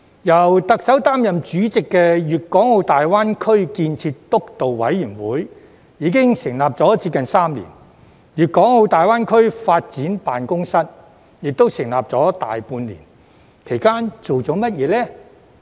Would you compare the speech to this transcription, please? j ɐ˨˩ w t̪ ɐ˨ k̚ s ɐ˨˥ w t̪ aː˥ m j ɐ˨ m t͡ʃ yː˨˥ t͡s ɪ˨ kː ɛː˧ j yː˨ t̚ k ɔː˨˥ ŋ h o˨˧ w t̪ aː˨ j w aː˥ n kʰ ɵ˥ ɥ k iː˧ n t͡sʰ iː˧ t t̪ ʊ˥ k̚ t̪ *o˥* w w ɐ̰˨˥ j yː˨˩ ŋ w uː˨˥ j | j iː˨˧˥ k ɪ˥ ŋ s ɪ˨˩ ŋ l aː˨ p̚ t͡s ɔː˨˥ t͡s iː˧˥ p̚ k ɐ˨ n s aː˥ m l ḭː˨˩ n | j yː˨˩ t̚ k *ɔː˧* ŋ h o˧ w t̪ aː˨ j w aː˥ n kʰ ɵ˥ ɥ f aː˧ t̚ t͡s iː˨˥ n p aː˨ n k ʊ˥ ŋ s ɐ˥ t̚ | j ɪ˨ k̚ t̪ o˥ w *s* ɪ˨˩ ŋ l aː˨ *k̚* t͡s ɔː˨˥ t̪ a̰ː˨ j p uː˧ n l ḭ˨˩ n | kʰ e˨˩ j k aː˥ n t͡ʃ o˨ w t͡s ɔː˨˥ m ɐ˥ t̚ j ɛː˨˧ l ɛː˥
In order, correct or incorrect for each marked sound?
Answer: incorrect: o˨, incorrect: ɔː˨˥, correct, incorrect: p̚

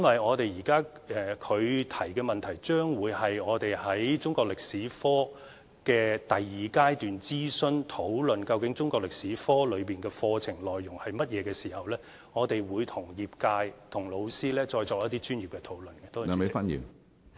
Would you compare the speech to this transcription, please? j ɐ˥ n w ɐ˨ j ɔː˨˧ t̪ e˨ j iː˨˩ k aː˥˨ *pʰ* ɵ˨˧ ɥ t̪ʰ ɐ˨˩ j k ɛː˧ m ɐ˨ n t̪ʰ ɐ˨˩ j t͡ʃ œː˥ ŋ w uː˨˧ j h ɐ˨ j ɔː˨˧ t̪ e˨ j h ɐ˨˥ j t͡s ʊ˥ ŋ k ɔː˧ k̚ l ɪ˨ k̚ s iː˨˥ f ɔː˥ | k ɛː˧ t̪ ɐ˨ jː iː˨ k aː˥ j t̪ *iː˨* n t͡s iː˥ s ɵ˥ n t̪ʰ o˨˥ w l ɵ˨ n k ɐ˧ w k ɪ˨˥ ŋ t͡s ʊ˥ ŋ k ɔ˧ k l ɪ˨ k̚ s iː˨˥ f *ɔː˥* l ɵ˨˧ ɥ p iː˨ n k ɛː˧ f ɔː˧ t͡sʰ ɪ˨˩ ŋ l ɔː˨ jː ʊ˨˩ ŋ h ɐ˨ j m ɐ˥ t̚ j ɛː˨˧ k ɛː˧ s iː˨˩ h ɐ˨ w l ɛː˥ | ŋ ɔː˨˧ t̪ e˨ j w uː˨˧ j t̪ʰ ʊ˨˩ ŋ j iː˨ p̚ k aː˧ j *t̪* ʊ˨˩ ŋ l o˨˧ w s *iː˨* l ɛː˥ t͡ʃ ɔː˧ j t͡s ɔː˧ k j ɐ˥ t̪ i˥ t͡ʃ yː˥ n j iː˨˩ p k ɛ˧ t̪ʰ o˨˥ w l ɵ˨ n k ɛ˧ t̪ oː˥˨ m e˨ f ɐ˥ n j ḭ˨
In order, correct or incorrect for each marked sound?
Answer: incorrect: kʰ, incorrect: yː˨, correct, incorrect: t̪ʰ, incorrect: iː˥

